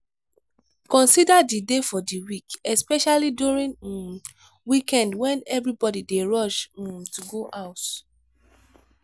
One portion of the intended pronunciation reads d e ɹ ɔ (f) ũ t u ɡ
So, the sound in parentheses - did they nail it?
no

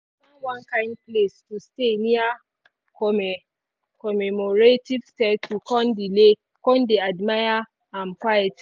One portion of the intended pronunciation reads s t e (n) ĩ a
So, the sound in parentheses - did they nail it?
yes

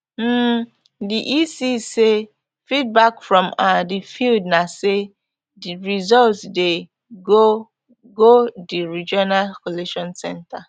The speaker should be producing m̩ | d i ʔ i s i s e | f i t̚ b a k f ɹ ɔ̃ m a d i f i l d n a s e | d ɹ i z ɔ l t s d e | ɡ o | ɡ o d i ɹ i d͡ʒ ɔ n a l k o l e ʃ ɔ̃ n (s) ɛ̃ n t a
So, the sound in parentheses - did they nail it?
yes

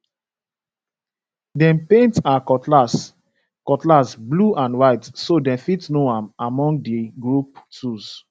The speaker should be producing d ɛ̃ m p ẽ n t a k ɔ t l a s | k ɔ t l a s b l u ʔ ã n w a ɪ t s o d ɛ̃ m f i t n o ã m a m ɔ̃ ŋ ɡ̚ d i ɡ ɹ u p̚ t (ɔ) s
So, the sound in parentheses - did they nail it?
no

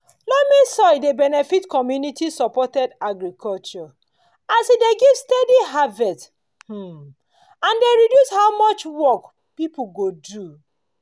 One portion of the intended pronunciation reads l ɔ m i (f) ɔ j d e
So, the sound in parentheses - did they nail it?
no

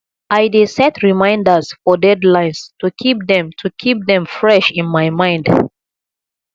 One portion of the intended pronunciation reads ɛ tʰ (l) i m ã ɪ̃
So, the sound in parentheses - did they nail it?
no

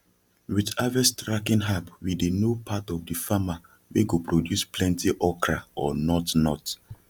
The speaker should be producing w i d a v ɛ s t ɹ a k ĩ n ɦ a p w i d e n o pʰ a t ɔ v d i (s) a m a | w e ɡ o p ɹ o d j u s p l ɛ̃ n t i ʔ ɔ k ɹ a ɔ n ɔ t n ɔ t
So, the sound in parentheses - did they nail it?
no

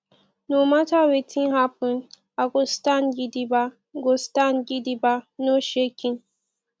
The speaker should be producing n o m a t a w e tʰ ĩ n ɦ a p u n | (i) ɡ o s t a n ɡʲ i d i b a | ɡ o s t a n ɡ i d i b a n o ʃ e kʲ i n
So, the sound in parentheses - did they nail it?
no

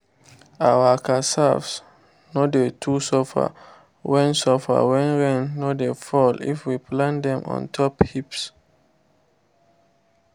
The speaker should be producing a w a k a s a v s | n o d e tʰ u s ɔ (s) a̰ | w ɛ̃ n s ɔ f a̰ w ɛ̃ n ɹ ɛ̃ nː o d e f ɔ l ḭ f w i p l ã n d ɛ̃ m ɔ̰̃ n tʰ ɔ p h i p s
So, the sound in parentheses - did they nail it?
no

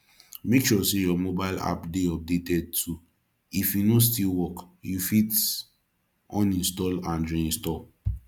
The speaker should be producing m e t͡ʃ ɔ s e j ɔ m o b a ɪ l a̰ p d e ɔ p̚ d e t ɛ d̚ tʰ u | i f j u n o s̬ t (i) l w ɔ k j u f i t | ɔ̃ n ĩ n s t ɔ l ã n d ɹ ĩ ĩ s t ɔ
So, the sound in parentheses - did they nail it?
yes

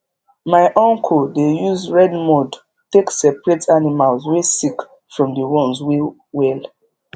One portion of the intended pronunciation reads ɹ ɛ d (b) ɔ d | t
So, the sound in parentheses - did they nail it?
no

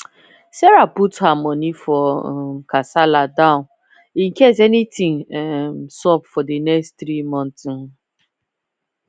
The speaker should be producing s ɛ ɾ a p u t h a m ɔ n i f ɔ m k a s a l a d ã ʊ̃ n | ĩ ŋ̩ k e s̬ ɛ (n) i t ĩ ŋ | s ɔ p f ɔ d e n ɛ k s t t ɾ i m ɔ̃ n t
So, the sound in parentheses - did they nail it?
yes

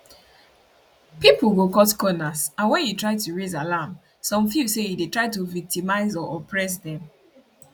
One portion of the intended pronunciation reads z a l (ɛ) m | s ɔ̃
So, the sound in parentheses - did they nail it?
no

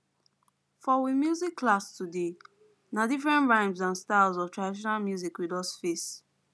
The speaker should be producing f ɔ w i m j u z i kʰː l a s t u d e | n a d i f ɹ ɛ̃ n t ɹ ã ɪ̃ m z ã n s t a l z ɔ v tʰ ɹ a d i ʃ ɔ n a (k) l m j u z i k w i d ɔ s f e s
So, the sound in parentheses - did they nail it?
no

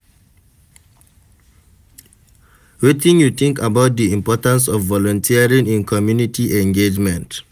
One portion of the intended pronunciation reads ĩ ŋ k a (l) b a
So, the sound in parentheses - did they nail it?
no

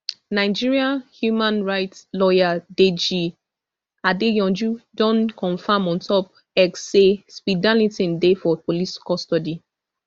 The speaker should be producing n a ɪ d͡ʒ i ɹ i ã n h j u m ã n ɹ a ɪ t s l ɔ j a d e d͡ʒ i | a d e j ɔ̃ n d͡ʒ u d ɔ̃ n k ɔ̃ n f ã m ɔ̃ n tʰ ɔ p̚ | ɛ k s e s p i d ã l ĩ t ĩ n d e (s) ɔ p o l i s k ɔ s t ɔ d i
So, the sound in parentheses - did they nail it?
no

